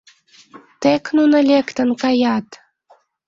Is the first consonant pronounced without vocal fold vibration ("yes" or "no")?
yes